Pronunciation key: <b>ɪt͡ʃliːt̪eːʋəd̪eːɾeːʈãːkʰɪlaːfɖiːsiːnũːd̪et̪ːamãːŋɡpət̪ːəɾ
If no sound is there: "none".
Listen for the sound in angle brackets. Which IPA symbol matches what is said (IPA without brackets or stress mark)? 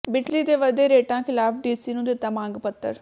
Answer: b